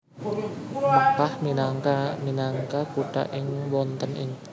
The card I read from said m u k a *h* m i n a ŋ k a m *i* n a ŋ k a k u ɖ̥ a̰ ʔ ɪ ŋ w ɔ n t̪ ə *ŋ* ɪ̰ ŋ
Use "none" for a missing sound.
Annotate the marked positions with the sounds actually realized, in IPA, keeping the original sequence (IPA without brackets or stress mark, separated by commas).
h, i, n